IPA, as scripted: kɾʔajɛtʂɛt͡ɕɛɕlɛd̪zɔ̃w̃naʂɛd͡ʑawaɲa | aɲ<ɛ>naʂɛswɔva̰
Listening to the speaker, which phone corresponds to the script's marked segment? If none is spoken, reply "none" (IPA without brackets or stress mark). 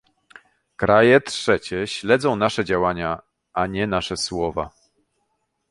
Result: ɛ